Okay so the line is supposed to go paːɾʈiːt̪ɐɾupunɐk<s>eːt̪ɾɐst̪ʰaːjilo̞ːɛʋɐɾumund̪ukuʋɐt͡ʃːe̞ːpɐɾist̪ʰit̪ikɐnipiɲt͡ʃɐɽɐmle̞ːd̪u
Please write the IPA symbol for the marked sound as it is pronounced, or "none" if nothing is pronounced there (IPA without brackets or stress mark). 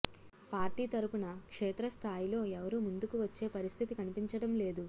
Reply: ʂ